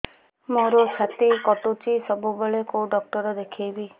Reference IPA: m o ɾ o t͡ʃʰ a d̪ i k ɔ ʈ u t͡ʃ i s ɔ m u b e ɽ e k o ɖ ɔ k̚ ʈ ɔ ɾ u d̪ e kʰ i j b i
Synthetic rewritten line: m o ɾ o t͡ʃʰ a t̪ i k ɔ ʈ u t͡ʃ i s ɔ b u b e ɭ e k o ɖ ɔ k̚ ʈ ɔ ɾ ɔ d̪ e kʰ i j b i